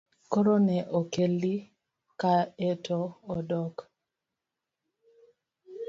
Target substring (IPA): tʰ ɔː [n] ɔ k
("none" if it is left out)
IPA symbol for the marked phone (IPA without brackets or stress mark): d